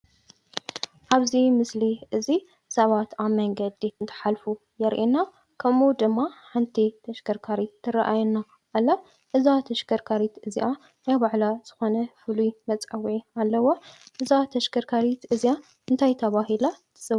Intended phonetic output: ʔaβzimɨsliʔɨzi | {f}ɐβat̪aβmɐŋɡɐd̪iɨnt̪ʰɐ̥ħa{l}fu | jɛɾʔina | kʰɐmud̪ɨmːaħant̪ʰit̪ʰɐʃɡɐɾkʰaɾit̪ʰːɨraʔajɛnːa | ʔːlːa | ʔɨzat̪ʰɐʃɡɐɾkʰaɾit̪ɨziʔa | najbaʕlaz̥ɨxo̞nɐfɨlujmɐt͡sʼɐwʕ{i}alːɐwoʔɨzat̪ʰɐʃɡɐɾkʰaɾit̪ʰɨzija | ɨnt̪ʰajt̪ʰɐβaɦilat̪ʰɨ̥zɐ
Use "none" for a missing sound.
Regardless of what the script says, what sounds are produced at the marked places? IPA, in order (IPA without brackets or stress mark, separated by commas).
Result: s, l, i